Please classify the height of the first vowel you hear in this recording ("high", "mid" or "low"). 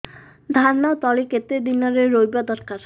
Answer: low